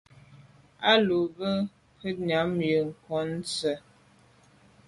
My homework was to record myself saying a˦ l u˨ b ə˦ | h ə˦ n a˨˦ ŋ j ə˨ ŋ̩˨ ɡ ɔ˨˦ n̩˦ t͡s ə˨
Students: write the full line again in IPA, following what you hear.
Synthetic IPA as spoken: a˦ l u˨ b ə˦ | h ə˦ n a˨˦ m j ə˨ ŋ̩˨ k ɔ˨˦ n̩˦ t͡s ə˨